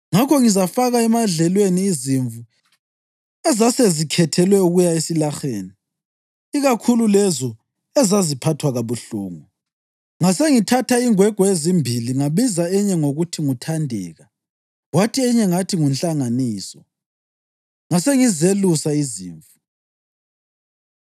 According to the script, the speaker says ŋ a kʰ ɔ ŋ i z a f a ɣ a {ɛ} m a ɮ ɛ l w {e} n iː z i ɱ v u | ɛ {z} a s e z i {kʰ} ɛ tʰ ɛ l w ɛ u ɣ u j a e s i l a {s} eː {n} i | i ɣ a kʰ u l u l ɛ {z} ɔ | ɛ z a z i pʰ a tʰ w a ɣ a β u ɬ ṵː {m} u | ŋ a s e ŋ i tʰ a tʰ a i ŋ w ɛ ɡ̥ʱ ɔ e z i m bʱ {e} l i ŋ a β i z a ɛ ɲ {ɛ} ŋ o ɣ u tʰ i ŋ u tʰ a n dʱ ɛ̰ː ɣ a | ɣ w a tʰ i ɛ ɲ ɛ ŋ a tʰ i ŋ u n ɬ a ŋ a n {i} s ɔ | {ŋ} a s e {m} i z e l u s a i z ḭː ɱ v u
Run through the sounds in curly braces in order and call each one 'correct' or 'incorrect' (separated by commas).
correct, correct, correct, correct, incorrect, correct, correct, incorrect, incorrect, correct, incorrect, correct, incorrect